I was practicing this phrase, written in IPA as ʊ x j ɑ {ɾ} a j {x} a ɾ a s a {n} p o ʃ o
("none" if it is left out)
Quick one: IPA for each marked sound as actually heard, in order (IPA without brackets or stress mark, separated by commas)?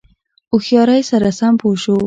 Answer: ɾ, s, m